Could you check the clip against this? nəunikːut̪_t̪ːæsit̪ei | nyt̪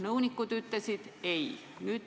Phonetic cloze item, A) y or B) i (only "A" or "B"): A